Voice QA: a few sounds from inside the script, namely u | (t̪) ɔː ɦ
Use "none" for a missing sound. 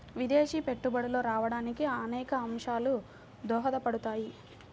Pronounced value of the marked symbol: d̪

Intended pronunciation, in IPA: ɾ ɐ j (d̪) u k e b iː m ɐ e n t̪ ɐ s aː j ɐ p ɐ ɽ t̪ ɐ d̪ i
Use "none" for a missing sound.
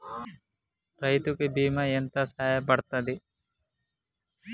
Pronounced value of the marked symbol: t̪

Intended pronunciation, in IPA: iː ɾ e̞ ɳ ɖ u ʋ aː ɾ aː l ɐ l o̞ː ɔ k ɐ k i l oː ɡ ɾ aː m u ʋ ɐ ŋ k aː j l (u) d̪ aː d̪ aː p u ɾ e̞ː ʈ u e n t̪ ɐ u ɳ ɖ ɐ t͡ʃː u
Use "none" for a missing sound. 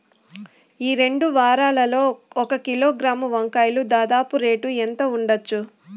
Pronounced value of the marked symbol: u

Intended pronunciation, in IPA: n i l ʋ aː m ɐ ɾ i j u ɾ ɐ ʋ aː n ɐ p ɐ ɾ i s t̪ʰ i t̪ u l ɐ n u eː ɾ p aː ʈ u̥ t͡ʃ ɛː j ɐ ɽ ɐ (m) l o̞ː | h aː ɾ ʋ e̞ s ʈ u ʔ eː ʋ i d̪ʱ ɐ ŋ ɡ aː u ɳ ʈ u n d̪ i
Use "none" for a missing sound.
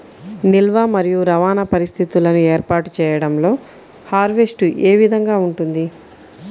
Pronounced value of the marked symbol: m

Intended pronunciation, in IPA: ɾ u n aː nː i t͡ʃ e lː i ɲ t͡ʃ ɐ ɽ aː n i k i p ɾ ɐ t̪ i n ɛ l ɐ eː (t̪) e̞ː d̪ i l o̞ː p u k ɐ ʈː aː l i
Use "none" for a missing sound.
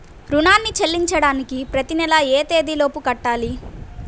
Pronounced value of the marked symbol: t̪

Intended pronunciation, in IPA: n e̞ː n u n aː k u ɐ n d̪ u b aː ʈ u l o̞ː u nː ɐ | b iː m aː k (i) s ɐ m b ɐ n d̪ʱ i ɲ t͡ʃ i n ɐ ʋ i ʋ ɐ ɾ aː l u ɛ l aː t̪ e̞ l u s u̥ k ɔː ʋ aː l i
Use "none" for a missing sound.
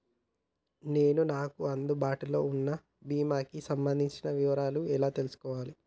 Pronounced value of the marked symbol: i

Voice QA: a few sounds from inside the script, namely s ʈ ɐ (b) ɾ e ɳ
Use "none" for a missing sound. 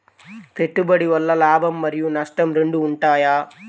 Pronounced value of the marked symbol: m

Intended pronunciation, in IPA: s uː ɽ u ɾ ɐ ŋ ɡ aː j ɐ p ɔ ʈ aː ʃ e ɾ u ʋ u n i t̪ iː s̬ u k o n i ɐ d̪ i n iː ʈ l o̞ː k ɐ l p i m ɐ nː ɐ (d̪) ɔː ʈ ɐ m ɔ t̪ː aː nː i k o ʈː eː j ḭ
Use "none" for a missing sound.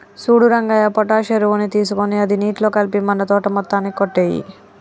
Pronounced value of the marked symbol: t̪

